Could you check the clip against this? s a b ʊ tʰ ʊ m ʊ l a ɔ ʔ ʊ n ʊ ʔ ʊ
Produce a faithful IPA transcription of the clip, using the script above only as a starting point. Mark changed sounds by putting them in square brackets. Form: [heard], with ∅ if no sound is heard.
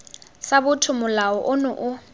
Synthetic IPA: s a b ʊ tʰ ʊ m ʊ l a ɔ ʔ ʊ n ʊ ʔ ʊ